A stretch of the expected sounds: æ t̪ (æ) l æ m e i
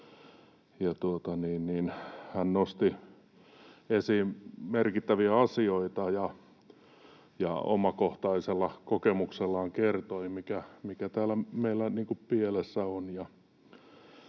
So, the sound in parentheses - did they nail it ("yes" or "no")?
no